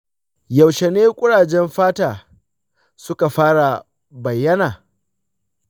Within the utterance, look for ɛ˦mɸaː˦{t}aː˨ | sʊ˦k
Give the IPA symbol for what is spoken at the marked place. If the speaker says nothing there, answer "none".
t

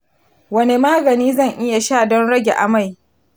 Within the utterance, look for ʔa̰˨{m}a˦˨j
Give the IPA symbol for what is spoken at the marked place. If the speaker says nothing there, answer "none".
m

